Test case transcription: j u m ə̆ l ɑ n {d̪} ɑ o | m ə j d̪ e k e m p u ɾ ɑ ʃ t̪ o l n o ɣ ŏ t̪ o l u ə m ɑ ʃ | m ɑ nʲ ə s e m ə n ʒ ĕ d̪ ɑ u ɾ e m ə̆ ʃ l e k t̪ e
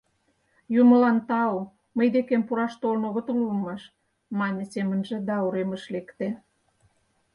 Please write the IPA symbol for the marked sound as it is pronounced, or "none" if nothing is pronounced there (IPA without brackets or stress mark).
t̪